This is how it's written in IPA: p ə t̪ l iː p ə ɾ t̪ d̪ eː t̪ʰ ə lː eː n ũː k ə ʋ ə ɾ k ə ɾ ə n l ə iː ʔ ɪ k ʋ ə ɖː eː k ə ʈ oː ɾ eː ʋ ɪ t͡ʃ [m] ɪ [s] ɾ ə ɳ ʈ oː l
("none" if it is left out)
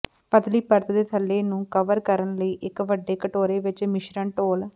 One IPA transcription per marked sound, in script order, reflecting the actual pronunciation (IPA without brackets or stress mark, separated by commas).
m, ʃ